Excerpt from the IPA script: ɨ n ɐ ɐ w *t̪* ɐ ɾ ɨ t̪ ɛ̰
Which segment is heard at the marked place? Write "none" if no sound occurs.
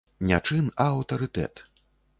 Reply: t̪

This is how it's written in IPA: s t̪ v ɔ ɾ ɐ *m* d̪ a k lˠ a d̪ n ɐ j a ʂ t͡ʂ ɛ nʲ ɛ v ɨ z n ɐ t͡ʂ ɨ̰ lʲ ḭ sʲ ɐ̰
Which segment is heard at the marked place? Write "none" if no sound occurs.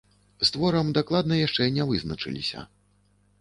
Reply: m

